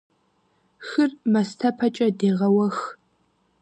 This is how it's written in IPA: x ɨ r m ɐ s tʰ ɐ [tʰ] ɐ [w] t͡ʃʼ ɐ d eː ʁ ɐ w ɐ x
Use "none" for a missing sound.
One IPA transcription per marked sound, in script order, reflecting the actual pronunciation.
pʰ, none

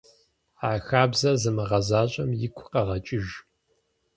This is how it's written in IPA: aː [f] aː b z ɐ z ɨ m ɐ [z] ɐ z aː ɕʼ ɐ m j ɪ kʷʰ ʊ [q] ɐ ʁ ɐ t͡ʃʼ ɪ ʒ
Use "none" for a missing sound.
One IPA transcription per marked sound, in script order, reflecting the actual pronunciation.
x, ʁ, q

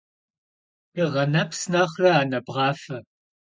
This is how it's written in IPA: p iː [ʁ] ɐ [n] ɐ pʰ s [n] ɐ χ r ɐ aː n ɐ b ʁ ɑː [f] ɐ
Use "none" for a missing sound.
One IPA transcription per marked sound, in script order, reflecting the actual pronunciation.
ʁ, n, n, f

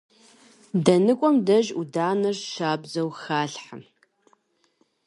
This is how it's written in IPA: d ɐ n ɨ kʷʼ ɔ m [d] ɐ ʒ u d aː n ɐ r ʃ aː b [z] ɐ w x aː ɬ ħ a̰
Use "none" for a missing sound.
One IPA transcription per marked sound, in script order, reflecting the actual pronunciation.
d, z

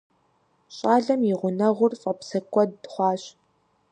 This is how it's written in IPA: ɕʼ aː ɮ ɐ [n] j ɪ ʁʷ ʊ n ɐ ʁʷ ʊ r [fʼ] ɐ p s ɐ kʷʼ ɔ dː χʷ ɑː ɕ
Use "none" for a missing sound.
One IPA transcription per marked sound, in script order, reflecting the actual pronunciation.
m, fʼ

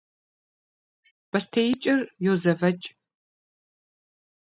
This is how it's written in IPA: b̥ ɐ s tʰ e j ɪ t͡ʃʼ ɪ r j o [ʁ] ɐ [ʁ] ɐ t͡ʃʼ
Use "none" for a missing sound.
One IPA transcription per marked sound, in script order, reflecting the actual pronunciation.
z, v

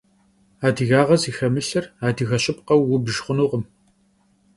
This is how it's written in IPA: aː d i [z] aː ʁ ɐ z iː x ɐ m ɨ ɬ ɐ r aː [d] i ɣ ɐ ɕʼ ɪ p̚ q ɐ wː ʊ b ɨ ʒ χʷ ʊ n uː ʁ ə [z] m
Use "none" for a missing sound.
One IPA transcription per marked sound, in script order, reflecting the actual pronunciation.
ɣ, d, none

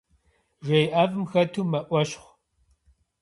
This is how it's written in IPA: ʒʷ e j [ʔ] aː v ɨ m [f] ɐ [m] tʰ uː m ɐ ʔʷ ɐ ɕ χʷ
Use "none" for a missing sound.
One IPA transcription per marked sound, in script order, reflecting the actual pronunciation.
ʔ, x, none

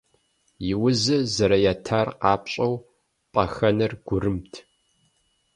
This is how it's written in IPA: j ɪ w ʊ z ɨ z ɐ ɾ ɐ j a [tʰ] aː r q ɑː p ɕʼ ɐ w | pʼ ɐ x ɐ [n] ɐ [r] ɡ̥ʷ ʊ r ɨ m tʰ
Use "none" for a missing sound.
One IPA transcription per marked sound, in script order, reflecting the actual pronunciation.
tʰ, n, r

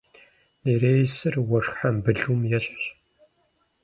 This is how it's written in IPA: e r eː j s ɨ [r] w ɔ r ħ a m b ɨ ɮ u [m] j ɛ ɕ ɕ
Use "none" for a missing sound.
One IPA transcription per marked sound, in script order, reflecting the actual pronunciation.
r, m

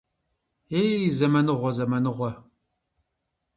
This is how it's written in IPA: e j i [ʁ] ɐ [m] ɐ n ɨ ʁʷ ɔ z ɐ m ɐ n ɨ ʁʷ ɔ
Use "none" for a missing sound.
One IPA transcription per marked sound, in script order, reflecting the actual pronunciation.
z, m

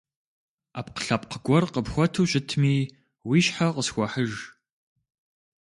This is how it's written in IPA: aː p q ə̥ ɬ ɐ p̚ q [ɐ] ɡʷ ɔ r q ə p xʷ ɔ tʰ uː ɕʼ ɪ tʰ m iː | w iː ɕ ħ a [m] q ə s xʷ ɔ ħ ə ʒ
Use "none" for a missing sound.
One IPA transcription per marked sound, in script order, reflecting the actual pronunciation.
ə, none

